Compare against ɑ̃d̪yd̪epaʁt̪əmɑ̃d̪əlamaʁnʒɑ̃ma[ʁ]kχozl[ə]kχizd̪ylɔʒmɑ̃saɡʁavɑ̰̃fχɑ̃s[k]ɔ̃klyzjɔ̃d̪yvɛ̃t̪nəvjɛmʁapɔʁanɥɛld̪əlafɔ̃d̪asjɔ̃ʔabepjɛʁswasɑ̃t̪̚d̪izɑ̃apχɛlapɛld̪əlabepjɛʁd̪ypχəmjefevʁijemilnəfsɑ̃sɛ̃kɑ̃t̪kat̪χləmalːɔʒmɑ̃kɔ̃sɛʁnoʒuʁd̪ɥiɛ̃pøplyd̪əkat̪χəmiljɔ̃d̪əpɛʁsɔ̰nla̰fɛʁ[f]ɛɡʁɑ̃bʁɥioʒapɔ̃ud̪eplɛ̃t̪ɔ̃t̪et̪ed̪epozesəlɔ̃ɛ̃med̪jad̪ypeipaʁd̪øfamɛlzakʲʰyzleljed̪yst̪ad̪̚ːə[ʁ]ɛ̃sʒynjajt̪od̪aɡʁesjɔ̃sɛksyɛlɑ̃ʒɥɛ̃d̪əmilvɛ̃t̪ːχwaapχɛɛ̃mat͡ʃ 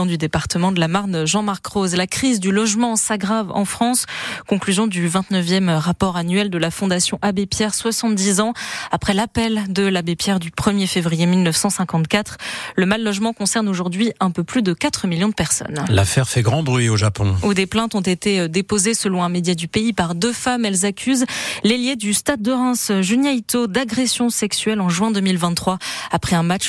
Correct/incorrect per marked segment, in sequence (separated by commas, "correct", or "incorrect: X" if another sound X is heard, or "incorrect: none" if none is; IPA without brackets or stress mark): correct, incorrect: a, correct, correct, correct